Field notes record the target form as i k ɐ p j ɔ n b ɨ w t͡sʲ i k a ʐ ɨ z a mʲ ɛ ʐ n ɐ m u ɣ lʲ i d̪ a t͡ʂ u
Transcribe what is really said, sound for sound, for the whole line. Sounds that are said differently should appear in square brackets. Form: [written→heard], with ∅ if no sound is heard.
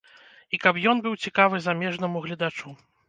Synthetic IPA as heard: i k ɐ p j ɔ n b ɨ w t͡sʲ i k a [ʐ→v] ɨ z a mʲ ɛ ʐ n ɐ m u ɣ lʲ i d̪ a t͡ʂ u